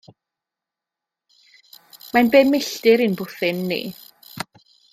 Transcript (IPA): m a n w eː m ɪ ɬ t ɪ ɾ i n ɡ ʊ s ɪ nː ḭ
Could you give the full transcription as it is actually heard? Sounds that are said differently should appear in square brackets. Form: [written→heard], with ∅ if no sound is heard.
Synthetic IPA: m a n [w→b] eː m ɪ ɬ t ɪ ɾ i n [ɡ→b] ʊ [s→θ] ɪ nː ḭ

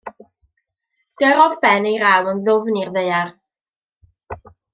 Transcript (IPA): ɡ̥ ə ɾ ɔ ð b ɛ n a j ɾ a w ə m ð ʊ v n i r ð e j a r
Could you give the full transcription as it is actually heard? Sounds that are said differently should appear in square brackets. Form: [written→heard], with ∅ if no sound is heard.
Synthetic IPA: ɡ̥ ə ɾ ɔ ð b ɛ n [a→e] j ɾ a w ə [m→n] ð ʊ v n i r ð e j a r

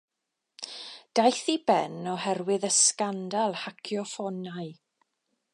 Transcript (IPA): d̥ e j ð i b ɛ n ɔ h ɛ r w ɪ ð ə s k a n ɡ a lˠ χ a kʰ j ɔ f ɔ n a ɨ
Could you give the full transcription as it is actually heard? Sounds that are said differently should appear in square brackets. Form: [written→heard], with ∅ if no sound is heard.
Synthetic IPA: d̥ [e→a] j [ð→θ] i b ɛ n ɔ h ɛ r w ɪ ð ə s k a n [ɡ→d] a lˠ [χ→h] a kʰ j ɔ f ɔ n a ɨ

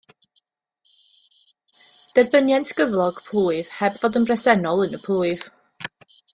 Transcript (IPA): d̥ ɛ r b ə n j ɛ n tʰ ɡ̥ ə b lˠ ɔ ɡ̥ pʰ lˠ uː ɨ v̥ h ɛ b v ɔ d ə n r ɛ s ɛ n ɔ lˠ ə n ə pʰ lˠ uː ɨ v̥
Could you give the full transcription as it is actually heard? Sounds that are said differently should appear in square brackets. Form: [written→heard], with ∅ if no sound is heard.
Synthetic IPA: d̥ ɛ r b ə n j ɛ n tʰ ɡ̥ ə [b→v] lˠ ɔ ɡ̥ pʰ lˠ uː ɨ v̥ h ɛ b v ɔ d ə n r ɛ s ɛ n ɔ lˠ ə n ə pʰ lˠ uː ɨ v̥

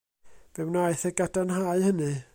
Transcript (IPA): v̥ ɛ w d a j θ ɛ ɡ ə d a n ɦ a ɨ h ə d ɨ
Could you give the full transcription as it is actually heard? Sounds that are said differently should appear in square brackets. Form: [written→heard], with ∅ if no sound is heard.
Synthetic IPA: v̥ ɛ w [d→n] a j θ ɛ ɡ [ə→a] d a n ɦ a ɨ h ə [d→n] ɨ

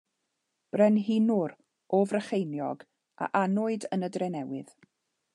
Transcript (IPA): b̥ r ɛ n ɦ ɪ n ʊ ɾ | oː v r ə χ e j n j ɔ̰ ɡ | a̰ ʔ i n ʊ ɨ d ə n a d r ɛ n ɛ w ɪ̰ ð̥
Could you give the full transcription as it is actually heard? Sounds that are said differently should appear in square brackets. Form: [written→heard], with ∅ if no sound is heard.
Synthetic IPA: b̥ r ɛ n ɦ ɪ n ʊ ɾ | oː v r ə χ e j n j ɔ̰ ɡ | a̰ ʔ [i→a] n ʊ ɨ d ə n [a→ə] d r ɛ n ɛ w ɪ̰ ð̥

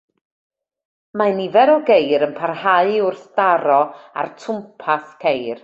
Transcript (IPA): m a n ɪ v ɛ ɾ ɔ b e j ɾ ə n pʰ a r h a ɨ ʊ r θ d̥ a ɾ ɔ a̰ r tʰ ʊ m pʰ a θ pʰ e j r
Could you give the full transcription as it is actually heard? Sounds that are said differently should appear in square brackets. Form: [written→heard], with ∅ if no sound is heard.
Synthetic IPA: m a n [ɪ→i] v ɛ ɾ ɔ [b→ɡ] e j ɾ ə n pʰ a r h a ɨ ʊ r θ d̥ a ɾ ɔ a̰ r tʰ ʊ m pʰ a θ [pʰ→kʰ] e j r

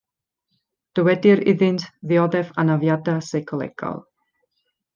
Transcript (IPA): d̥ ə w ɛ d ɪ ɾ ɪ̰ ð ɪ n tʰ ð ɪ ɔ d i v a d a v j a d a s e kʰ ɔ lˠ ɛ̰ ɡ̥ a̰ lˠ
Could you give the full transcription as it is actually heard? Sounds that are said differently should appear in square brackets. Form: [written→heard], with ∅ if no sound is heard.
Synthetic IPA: d̥ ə w ɛ d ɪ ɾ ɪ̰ ð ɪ n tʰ ð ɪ ɔ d [i→ɛ] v a [d→n] a v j a d a s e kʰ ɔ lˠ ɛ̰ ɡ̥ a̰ lˠ

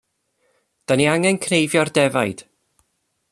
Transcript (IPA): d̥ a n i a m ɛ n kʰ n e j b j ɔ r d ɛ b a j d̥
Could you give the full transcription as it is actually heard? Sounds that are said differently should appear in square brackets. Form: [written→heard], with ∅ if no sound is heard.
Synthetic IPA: d̥ a n i a [m→ŋ] ɛ n kʰ n e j [b→v] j ɔ r d ɛ [b→v] a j d̥

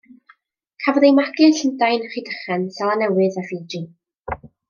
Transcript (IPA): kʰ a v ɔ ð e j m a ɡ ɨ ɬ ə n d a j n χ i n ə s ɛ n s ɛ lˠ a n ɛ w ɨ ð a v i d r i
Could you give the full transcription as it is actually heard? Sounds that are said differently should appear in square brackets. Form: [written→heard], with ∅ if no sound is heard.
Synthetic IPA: kʰ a v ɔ ð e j m a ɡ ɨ ɬ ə n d a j n χ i [n→d] ə [s→χ] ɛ n s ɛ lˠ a n ɛ w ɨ ð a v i d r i

